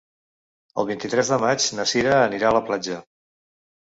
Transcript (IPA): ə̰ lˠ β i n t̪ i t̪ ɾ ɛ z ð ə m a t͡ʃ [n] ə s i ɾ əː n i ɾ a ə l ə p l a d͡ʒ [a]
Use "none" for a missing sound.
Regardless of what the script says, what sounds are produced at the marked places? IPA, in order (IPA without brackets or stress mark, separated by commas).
n, ə